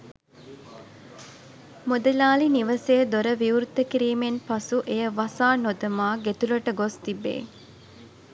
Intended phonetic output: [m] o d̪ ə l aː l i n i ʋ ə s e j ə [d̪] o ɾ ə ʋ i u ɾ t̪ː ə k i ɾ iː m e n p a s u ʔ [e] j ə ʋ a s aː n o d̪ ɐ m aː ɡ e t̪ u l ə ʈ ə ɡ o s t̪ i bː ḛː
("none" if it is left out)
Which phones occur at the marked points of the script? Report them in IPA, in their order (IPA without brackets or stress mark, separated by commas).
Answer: m, d̪, e